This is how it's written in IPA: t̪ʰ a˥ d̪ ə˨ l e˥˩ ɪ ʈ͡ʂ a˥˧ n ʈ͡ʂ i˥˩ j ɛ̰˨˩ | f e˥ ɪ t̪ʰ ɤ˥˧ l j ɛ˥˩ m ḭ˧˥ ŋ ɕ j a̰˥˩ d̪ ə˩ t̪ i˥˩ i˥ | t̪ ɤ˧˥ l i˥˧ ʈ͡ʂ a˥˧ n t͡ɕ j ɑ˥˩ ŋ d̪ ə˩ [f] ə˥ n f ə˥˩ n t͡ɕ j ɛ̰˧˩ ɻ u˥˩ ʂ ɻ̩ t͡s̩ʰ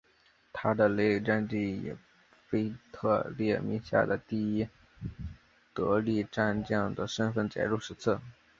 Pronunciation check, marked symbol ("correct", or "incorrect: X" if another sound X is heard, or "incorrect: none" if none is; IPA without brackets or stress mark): incorrect: ʂ